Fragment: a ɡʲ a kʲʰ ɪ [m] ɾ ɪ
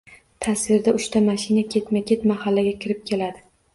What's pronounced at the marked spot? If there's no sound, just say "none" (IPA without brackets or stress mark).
none